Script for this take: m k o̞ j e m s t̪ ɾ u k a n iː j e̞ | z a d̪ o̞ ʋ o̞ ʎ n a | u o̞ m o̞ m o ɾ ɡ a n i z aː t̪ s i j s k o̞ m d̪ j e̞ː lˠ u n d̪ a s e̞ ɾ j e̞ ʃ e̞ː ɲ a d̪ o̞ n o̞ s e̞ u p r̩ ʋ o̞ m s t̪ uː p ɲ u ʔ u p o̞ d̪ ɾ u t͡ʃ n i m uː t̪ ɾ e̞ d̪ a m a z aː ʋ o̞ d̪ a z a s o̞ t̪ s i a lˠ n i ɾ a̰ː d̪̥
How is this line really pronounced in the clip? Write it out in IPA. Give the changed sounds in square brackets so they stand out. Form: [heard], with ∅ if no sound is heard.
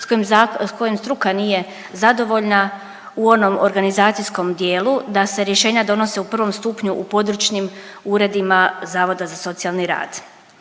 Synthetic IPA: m k o̞ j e m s t̪ ɾ u k a n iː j e̞ | z a d̪ o̞ ʋ o̞ ʎ n a | u o̞ [n] o̞ m o ɾ ɡ a n i z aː t̪ s i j s k o̞ m d̪ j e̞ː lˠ u [∅] d̪ a s e̞ ɾ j e̞ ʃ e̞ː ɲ a d̪ o̞ n o̞ s e̞ u p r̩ ʋ o̞ m s t̪ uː p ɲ u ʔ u p o̞ d̪ ɾ u t͡ʃ n i m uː [∅] ɾ e̞ d̪ [i] m a z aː ʋ o̞ d̪ a z a s o̞ t̪ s i a lˠ n i ɾ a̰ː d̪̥